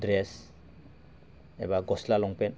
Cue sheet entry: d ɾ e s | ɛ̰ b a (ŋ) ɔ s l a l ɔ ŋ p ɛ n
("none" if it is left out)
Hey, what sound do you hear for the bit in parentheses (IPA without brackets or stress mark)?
ɡ